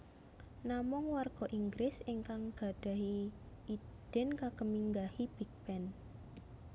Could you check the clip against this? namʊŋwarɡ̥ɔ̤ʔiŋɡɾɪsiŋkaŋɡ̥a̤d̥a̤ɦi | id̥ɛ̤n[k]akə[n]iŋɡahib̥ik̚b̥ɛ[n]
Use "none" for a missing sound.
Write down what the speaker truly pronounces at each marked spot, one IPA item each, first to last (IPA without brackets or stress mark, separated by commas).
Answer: k, m, n